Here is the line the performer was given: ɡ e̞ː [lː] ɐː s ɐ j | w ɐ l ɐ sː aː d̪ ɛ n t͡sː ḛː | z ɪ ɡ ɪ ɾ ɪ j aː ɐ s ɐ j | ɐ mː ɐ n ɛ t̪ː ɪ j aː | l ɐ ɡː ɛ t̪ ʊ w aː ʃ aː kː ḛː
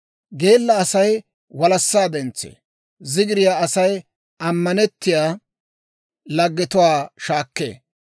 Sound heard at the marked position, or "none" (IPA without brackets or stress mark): lː